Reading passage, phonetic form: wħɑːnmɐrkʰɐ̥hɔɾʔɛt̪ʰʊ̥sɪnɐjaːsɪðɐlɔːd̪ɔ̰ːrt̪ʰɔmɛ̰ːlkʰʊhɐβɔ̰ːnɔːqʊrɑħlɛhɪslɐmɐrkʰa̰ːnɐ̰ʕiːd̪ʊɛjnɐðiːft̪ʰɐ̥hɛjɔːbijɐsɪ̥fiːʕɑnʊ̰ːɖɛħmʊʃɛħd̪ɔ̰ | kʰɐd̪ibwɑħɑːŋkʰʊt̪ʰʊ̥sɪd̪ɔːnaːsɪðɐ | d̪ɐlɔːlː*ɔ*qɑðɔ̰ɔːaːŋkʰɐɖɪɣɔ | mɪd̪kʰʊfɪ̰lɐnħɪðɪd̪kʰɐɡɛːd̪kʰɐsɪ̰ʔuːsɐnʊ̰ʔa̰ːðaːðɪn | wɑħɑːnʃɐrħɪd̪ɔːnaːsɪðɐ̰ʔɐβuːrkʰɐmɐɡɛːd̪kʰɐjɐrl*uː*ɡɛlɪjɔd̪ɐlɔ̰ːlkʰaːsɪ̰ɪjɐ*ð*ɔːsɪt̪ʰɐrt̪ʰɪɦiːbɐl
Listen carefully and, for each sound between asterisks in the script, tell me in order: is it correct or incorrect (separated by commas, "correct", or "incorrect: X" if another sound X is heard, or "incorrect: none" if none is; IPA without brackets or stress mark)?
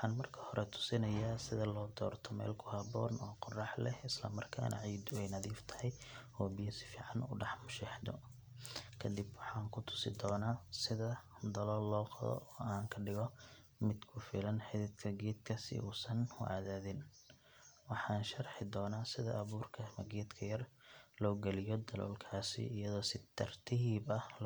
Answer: incorrect: ɔː, incorrect: ɔː, correct